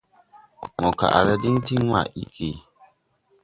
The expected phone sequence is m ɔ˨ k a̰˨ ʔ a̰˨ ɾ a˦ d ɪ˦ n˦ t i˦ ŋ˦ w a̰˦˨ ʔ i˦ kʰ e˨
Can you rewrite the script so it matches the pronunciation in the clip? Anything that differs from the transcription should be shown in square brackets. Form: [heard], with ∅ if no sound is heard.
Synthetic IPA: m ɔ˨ k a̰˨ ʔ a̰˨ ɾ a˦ d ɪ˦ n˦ t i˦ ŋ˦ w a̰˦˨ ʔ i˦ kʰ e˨